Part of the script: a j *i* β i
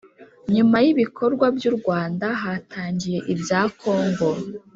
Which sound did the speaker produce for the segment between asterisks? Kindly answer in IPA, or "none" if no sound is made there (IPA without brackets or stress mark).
i